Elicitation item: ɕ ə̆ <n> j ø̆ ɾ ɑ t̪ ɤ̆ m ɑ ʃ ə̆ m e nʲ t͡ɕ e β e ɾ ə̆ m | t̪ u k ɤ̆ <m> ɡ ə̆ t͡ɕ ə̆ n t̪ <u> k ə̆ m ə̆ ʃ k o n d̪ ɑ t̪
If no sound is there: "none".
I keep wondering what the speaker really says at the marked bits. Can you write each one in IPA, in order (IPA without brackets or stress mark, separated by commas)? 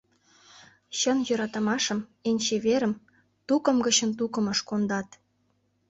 n, m, u